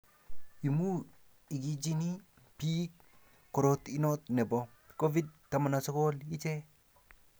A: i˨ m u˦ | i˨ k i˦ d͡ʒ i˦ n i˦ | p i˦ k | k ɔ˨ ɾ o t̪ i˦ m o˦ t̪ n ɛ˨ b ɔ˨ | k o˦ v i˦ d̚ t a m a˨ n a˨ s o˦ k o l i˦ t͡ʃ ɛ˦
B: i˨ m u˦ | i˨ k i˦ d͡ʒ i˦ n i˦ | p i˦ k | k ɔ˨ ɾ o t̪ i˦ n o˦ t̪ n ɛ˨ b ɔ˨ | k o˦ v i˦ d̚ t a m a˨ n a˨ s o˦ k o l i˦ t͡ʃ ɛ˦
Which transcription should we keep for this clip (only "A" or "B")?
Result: B